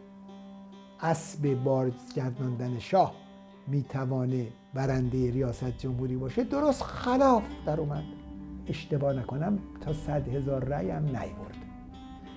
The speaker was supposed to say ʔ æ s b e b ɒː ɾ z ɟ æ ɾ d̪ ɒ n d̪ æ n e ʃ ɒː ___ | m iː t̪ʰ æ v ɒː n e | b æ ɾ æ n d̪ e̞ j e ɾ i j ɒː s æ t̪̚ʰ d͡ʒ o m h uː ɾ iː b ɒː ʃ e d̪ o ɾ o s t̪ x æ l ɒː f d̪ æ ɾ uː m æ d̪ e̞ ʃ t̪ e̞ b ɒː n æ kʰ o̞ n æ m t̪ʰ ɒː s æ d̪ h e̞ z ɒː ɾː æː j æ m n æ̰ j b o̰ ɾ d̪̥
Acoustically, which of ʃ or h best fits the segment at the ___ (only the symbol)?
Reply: h